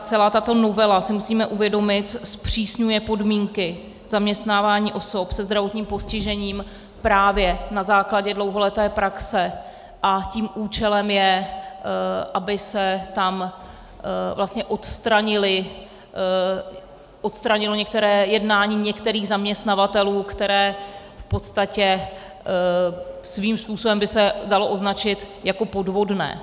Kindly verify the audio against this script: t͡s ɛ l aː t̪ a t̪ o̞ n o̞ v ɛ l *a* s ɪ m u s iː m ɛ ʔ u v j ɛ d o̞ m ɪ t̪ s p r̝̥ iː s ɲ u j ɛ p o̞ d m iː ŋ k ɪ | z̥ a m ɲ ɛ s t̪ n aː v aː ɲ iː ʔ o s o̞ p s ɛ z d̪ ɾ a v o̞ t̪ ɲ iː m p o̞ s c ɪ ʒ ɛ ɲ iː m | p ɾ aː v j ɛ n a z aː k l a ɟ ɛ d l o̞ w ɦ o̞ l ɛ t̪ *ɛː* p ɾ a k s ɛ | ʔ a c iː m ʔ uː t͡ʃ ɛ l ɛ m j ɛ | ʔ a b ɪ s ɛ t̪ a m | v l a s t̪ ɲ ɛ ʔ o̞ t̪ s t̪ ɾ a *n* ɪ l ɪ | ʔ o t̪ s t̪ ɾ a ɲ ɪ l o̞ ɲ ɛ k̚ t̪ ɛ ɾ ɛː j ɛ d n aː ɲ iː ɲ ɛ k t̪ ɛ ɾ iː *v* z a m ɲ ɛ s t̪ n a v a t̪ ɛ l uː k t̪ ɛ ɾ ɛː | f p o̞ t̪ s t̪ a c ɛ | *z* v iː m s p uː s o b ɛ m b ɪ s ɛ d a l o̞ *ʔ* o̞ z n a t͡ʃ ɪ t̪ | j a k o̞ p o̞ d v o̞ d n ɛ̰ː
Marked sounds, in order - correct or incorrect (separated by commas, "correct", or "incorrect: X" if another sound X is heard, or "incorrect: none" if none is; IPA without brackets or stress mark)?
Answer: correct, correct, incorrect: ɲ, incorrect: ɣ, incorrect: s, correct